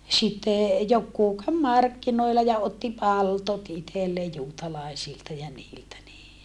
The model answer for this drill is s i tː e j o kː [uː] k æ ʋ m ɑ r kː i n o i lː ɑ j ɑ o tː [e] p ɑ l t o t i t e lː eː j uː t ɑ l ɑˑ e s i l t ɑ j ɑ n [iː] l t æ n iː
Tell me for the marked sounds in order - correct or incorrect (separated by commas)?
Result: correct, incorrect, correct